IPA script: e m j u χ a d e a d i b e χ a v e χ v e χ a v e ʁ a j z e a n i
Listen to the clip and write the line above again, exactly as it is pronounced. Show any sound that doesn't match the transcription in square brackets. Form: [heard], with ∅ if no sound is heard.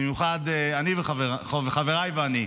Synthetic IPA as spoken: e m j u χ a d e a [n] i [v] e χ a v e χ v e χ a v e ʁ a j [v] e a n i